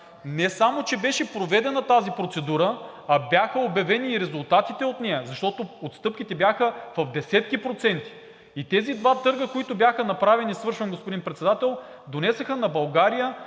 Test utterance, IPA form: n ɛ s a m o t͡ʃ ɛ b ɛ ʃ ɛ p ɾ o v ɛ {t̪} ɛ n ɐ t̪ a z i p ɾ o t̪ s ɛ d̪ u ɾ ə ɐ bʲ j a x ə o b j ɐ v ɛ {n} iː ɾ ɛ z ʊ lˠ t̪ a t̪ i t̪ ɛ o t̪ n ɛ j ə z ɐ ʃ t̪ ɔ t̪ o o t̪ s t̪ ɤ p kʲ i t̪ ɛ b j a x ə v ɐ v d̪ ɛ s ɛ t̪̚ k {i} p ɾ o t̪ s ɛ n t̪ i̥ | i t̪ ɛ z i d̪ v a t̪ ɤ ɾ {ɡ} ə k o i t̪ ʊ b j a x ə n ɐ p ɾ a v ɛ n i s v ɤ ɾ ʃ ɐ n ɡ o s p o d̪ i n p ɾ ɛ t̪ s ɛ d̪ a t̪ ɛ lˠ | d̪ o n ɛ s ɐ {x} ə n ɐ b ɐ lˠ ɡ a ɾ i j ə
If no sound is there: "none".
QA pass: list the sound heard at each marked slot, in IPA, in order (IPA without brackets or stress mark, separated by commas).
d̪, n, i, ɡ, x